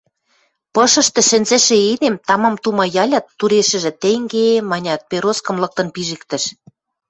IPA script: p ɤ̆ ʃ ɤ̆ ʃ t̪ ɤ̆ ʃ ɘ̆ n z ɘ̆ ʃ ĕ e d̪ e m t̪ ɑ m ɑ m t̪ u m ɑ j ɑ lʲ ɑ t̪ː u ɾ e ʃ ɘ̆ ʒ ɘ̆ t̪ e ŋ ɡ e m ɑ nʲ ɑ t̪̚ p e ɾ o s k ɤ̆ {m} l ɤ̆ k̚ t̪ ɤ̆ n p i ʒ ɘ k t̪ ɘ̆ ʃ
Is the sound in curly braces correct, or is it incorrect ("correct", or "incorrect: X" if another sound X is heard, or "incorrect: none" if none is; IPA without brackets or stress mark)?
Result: correct